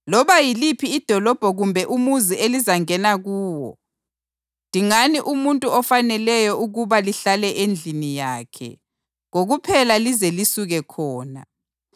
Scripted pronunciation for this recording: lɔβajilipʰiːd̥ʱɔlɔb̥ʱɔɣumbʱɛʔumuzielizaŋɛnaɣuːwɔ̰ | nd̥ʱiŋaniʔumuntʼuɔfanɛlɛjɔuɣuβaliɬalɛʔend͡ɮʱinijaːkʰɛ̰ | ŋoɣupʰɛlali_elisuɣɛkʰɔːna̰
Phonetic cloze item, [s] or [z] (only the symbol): z